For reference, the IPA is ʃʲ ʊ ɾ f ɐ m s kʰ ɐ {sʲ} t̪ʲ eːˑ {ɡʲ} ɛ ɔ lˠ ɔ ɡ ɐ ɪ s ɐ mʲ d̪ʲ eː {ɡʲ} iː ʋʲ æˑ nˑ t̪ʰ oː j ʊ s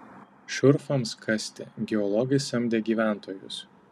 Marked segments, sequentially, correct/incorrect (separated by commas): correct, correct, correct